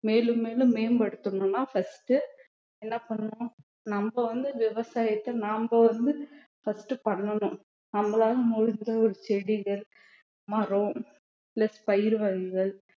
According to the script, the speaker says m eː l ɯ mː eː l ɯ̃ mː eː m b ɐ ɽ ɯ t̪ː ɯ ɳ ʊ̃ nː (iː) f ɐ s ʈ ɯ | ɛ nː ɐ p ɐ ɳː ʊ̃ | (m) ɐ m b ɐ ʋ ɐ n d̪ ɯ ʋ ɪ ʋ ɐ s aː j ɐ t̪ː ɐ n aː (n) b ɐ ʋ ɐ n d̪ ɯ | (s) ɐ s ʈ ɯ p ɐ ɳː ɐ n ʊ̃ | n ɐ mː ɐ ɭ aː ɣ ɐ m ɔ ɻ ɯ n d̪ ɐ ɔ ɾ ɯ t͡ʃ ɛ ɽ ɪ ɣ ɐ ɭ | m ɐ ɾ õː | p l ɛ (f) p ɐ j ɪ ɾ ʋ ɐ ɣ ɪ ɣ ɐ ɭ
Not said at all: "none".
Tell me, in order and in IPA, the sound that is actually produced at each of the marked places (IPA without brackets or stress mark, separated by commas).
aː, n, m, f, s